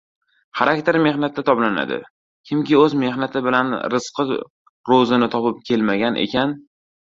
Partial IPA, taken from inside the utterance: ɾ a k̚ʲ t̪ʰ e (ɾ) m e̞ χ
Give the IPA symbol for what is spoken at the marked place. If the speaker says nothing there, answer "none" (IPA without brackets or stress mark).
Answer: ɾ